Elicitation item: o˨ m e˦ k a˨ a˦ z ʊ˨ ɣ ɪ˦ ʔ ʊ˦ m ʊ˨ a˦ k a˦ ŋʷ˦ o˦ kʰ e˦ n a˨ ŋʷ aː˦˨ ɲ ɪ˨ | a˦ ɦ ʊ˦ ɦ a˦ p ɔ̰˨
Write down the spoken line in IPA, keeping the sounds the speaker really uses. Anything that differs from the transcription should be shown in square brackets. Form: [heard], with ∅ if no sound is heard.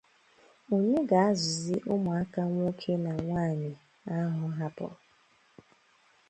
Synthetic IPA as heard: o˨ [ɲ] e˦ [ɡ] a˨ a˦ z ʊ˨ [z] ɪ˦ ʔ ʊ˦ m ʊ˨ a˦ k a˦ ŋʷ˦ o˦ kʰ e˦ n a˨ ŋʷ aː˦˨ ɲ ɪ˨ | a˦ ɦ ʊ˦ ɦ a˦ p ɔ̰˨